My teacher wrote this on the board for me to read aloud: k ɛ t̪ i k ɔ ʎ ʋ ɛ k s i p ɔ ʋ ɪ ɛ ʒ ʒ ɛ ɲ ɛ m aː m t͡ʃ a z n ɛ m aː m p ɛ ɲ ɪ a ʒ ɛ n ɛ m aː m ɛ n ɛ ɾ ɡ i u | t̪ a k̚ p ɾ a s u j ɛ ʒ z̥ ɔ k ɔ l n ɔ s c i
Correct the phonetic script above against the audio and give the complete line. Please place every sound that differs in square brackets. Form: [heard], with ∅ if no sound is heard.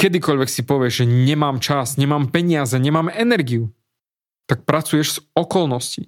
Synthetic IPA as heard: k ɛ [d̪] i k ɔ ʎ ʋ ɛ k s i p ɔ ʋ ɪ ɛ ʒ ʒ ɛ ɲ ɛ m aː m t͡ʃ a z [ɲ] ɛ m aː m p ɛ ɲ ɪ a [z] ɛ [ɲ] ɛ m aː m ɛ n ɛ ɾ ɡ i u | t̪ a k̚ p ɾ a [t͡s] u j ɛ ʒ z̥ ɔ k ɔ l n ɔ s c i